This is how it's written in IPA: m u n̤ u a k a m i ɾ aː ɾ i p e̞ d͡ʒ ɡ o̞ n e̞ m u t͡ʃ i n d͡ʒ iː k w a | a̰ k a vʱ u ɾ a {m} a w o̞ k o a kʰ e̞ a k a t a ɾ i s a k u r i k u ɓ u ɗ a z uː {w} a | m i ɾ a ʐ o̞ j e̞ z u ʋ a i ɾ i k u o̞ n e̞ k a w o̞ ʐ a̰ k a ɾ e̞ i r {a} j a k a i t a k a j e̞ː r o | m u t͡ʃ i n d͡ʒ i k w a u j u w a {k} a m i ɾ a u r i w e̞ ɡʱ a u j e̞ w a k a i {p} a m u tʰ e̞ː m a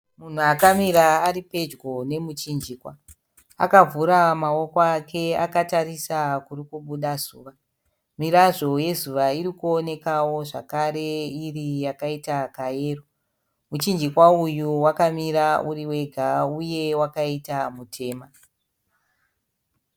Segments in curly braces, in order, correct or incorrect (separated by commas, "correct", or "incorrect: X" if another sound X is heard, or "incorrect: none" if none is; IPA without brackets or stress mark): correct, incorrect: ʋ, incorrect: i, correct, incorrect: t